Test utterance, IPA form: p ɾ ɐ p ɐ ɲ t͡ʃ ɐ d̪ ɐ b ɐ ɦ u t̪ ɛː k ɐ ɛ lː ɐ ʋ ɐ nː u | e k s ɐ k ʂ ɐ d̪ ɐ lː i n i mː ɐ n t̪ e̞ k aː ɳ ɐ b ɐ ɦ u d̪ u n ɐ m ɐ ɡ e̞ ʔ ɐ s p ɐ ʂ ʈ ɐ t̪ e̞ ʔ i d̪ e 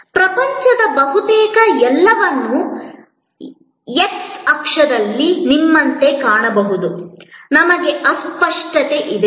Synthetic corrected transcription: p ɾ ɐ p ɐ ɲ t͡ʃ ɐ d̪ ɐ b ɐ ɦ u t̪ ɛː k ɐ ɛ lː ɐ ʋ ɐ nː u | e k s ɐ k ʂ ɐ d̪ ɐ lː i n i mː ɐ n t̪ e̞ k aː ɳ ɐ b ɐ ɦ u d̪ u n ɐ m ɐ ɡ e̞ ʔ ɐ s p ɐ ʂ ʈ ɐ t̪ e̞ ʔ i d̪ e